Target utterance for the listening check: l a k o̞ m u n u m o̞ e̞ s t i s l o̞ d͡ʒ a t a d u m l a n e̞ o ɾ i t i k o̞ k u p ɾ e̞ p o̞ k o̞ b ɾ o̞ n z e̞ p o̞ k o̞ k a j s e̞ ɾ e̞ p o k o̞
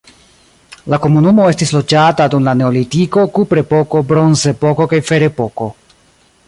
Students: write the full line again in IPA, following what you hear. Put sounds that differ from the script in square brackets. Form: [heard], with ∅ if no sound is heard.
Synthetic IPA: l a k o̞ m u n u m o̞ e̞ s t i s l o̞ d͡ʒ a t a d u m l a n e̞ o [l] i t i k o̞ k u p ɾ e̞ p o̞ k o̞ b ɾ o̞ n z e̞ p o̞ k o̞ k a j [f] e̞ ɾ e̞ p o k o̞

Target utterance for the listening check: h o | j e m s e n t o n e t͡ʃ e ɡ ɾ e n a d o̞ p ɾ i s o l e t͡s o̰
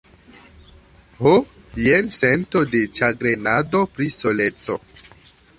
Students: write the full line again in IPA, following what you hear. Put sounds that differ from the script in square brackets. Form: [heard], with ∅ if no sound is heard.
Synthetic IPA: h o | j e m s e n t o [d] e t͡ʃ [a] ɡ ɾ e n a d o̞ p ɾ i s o l e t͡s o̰

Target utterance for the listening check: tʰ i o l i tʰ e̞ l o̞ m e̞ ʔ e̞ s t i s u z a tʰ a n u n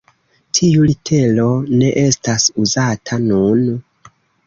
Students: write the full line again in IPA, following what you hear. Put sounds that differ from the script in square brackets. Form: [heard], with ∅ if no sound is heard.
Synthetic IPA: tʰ i [u] l i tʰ e̞ l o̞ [n] e̞ ʔ e̞ s t [a] s u z a tʰ a n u n

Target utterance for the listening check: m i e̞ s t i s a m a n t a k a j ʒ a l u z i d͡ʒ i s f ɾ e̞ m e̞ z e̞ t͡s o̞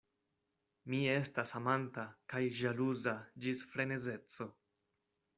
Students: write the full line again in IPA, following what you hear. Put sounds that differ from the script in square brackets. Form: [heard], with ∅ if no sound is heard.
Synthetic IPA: m i e̞ s t [a] s a m a n t a k a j ʒ a l u z [a] d͡ʒ i s f ɾ e̞ [n] e̞ z e̞ t͡s o̞

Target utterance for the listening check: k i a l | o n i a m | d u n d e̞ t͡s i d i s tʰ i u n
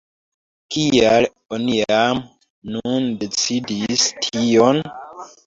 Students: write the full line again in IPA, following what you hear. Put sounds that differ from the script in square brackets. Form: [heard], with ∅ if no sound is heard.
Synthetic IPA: k i a l | o n i a m | [n] u n d e̞ t͡s i d i s tʰ i [o] n

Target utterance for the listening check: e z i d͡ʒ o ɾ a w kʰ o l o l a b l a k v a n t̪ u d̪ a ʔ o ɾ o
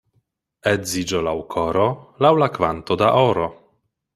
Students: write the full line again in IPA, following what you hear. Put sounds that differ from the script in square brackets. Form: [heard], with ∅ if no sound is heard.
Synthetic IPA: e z i d͡ʒ o [l] a w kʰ o [ɾ] o l a [w] l a k v a n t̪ [o] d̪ a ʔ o ɾ o

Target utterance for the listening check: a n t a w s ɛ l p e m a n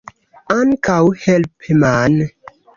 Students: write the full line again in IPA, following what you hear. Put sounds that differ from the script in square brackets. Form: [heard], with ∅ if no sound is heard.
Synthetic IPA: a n [k] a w [h] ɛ l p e m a n

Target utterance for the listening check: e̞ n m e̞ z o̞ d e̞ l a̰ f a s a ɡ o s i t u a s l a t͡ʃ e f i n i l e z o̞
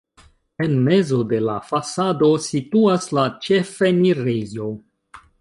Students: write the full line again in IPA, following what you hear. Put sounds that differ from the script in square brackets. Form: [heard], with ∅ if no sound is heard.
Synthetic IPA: e̞ n m e̞ z o̞ d e̞ l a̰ f a s a [d] o s i t u a s l a t͡ʃ e f [e] n i [ɾ] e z o̞

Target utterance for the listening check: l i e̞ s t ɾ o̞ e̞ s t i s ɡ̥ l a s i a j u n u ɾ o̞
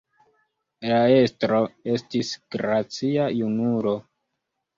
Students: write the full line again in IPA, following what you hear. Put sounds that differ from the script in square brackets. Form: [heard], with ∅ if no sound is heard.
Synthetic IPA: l [a] e̞ s t ɾ o̞ e̞ s t i s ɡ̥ [ɾ] a [t͡s] i a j u n u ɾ o̞

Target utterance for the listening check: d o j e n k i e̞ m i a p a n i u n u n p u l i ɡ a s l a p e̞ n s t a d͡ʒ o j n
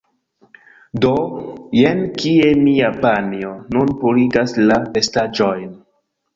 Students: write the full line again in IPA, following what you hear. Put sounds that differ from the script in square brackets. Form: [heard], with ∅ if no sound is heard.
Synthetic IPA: d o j e n k i e̞ m i a p a n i [o] n u n p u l i ɡ a s l a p e̞ [∅] s t a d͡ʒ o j n

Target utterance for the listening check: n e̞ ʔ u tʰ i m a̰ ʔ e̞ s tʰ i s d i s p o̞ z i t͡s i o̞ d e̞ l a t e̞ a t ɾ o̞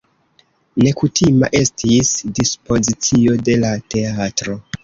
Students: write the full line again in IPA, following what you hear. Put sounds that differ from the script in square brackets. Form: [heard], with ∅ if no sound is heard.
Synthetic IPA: n e̞ [k] u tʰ i m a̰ ʔ e̞ s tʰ i s d i s p o̞ z i t͡s i o̞ d e̞ l a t e̞ a t ɾ o̞

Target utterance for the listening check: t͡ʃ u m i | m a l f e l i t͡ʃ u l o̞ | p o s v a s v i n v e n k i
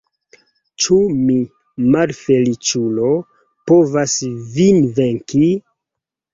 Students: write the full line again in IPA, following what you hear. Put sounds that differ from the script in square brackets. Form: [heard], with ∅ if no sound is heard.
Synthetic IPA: t͡ʃ u m i | m a l f e l i t͡ʃ u l o̞ | p o [∅] v a s v i n v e [ŋ] k i

